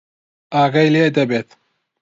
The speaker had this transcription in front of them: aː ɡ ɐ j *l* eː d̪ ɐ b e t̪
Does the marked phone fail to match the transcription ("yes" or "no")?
no